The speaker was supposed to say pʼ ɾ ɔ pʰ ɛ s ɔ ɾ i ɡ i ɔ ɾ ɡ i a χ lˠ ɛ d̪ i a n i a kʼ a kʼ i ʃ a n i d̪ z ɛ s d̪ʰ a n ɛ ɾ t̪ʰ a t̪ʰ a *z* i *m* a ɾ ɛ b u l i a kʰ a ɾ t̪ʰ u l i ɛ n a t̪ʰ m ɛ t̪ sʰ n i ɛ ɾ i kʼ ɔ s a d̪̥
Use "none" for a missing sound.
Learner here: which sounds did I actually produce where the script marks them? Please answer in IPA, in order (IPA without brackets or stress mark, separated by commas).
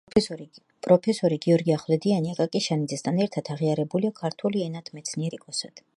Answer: ʁ, none